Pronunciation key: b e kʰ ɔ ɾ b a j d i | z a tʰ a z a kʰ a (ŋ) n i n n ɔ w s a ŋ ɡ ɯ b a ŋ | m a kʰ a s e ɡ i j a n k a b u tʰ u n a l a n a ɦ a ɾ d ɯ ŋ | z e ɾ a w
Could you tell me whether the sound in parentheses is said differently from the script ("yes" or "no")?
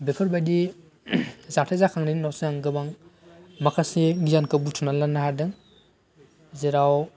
no